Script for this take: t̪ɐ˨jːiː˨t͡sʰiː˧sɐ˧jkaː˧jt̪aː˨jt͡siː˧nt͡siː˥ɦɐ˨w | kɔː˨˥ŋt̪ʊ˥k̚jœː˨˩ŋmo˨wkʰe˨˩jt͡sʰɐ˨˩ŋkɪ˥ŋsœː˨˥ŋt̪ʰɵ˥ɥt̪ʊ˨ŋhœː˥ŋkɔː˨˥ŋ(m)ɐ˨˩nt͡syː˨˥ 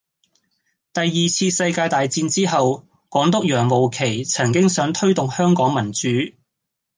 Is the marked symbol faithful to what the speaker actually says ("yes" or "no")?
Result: yes